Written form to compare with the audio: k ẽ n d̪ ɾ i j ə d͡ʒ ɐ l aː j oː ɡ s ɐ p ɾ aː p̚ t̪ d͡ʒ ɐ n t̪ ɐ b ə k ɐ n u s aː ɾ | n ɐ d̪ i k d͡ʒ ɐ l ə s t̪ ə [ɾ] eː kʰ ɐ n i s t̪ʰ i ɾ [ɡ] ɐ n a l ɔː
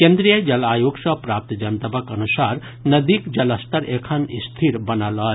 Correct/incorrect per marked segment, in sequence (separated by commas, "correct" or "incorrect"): correct, incorrect